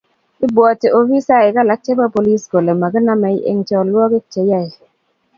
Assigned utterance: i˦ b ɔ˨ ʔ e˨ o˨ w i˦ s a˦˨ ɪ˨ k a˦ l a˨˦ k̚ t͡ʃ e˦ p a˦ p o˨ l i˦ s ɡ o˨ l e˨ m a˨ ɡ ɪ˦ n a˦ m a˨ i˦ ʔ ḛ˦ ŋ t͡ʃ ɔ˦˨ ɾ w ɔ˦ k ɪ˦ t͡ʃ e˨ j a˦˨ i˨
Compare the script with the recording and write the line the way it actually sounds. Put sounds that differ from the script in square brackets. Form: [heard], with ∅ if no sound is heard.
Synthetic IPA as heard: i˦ b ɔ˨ [t] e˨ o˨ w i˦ s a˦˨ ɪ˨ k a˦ l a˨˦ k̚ t͡ʃ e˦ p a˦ p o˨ l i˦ s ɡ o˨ l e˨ m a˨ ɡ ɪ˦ n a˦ m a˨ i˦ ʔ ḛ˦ ŋ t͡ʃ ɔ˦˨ [l] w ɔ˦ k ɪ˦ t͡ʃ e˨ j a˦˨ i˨